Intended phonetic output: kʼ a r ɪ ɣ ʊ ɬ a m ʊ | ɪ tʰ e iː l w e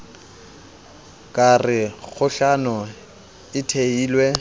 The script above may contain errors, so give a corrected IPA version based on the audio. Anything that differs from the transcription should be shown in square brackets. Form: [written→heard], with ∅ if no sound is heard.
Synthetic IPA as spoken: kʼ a r ɪ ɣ ʊ ɬ a [m→n] ʊ | ɪ tʰ e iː l w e